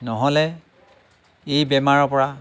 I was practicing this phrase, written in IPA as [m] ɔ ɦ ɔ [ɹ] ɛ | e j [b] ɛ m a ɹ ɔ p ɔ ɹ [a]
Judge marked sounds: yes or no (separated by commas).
no, no, yes, yes